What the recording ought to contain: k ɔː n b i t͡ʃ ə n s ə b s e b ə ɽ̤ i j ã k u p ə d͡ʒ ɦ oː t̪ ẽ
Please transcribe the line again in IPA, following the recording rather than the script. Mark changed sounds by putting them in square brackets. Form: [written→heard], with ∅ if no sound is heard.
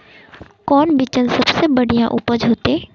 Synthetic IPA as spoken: k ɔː n b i t͡ʃ ə n s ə b s e b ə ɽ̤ i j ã [k→ʔ] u p ə d͡ʒ ɦ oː t̪ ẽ